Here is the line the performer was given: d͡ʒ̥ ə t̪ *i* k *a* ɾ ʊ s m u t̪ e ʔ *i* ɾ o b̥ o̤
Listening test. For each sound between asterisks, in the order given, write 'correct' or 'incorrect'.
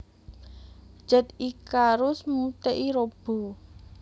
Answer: correct, correct, correct

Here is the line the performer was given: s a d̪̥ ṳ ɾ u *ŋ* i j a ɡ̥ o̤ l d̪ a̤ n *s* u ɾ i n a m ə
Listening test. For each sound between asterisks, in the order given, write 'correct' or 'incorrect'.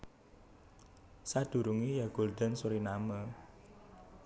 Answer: correct, correct

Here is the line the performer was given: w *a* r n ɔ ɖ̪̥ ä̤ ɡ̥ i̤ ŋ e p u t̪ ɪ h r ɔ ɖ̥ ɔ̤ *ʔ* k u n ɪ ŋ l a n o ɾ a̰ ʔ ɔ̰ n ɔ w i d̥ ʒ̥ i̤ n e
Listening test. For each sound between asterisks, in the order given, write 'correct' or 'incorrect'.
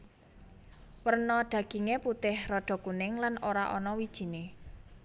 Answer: incorrect, incorrect

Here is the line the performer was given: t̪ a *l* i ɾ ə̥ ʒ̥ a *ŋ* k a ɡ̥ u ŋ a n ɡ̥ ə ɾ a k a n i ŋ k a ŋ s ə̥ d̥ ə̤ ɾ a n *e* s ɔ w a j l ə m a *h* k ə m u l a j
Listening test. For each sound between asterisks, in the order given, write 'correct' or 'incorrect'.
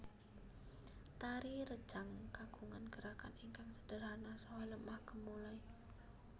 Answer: incorrect, correct, incorrect, correct

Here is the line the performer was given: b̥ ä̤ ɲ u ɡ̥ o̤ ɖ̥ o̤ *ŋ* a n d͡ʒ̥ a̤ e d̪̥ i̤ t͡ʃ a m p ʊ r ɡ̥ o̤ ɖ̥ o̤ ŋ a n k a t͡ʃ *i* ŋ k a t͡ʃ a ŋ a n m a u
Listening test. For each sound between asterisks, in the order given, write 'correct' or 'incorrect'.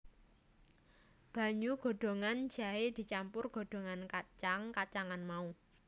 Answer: correct, incorrect

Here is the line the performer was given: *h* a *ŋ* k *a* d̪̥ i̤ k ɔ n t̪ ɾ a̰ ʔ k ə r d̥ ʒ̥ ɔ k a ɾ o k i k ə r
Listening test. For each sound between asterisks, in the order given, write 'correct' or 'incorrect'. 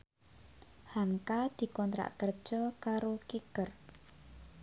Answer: correct, correct, correct

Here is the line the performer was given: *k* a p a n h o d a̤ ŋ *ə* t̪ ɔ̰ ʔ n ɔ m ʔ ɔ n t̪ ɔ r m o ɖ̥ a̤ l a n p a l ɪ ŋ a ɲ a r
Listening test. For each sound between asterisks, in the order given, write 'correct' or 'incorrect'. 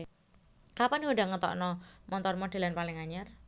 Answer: correct, correct

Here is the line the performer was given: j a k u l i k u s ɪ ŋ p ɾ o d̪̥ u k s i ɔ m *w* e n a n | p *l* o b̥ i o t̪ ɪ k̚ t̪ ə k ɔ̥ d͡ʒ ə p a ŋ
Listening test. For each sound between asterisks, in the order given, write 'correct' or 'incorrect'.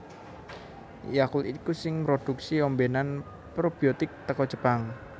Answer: incorrect, incorrect

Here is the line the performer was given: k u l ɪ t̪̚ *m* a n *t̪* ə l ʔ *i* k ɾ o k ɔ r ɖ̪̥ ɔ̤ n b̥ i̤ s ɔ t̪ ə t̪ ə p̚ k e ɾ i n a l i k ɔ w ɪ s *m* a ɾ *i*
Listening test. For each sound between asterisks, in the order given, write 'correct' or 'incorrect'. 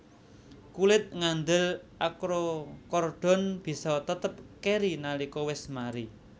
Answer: incorrect, incorrect, incorrect, correct, correct

